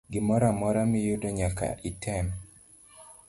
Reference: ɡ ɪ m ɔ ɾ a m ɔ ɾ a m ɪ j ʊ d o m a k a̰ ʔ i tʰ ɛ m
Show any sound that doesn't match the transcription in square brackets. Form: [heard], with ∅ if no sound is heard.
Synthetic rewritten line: ɡ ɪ m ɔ ɾ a m ɔ ɾ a m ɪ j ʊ d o [ɲ] a k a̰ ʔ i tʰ ɛ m

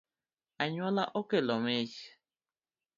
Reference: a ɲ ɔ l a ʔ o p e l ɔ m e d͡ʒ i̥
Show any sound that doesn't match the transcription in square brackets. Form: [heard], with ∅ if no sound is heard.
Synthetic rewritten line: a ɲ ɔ l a ʔ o [k] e l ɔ m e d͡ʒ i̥

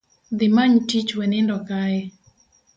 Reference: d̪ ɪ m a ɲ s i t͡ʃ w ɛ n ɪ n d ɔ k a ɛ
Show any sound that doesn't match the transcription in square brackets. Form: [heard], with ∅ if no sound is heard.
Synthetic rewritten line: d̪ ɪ m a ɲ [t] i t͡ʃ w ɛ n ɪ n d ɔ k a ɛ

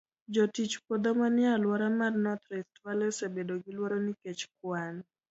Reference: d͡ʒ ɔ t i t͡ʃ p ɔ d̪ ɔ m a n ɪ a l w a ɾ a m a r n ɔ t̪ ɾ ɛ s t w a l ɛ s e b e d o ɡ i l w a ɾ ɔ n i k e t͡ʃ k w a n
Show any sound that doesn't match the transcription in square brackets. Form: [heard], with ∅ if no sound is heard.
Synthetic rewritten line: d͡ʒ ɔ t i t͡ʃ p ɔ d̪ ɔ m a n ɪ a l w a ɾ a m a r n ɔ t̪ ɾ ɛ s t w a l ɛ s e b e d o ɡ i l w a ɾ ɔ n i k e t͡ʃ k w a n

